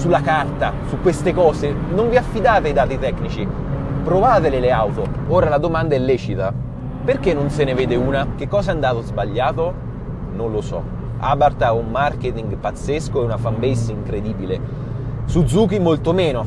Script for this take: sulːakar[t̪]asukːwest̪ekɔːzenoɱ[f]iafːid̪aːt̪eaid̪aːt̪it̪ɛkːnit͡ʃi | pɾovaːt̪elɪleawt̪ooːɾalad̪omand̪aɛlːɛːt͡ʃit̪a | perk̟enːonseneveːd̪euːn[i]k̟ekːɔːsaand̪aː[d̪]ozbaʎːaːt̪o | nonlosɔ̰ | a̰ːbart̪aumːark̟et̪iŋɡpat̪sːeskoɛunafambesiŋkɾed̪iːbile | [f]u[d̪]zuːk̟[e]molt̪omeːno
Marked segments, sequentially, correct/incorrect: correct, incorrect, incorrect, incorrect, incorrect, correct, incorrect

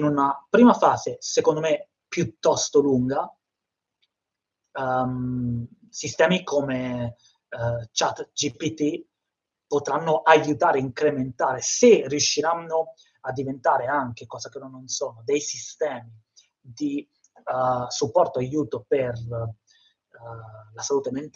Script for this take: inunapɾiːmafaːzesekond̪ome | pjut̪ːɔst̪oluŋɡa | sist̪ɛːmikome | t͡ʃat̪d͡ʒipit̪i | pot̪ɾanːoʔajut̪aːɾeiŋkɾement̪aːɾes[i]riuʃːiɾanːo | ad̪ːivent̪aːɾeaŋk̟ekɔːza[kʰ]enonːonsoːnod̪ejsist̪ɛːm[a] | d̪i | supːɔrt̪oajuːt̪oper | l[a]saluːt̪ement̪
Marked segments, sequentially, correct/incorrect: incorrect, incorrect, incorrect, correct

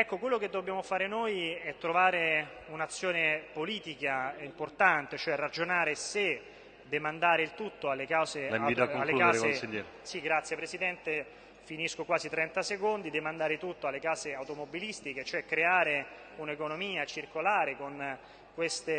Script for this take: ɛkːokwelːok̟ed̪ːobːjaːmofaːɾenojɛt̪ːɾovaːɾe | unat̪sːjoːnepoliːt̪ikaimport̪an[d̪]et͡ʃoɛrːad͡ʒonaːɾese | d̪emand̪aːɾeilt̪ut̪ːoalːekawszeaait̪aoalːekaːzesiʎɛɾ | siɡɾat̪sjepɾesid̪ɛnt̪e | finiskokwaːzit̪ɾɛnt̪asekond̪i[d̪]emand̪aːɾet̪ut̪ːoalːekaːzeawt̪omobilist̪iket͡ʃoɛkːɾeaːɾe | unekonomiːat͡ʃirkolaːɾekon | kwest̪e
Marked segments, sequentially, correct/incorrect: incorrect, correct

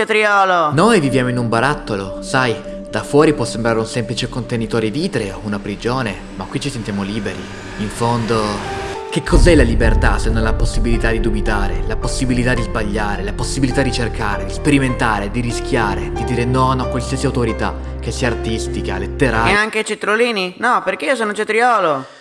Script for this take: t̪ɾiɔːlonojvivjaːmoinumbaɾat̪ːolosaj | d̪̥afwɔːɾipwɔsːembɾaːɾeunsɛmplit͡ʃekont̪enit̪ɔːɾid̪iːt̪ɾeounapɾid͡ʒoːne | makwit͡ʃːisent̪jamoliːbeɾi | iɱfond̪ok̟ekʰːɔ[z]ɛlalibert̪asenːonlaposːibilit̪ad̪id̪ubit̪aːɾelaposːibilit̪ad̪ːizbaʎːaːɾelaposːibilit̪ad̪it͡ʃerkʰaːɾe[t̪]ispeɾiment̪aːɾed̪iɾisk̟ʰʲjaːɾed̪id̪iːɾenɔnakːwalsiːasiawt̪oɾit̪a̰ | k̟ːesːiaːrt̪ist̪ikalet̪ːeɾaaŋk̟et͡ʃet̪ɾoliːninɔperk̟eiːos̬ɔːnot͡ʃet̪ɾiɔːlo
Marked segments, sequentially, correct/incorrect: correct, incorrect

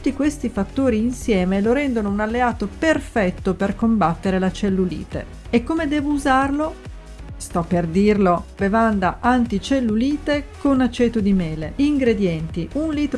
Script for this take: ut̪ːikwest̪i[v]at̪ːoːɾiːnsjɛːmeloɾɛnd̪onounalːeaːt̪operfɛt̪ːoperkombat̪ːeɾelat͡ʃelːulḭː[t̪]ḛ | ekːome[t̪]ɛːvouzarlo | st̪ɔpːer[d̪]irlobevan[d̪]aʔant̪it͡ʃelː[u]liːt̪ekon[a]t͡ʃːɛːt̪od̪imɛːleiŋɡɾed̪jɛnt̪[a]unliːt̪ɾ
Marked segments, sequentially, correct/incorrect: incorrect, correct, incorrect, correct, correct, correct, correct, incorrect

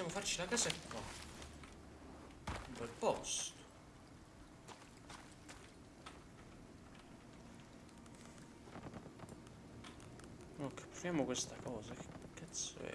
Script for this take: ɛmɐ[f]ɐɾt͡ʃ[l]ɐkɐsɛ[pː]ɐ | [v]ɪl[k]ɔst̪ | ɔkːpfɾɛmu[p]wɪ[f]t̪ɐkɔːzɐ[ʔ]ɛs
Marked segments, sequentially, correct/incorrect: correct, correct, incorrect, incorrect, incorrect, incorrect, incorrect, incorrect

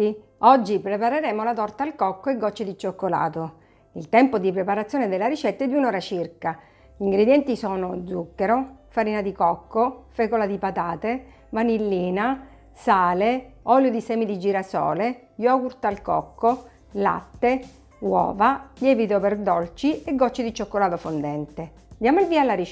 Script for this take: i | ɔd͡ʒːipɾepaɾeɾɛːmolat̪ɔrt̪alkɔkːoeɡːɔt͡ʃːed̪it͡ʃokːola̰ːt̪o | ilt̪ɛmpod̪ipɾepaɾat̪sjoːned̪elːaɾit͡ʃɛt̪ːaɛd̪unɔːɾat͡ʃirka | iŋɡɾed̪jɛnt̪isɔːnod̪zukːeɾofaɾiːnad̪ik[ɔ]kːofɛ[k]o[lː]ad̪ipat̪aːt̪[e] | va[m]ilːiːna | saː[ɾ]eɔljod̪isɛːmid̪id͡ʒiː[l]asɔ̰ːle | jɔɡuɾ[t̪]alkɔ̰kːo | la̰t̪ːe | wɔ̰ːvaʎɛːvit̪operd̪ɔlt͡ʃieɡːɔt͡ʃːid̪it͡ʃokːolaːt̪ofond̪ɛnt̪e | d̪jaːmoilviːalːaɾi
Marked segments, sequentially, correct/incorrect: correct, correct, incorrect, correct, incorrect, incorrect, incorrect, correct

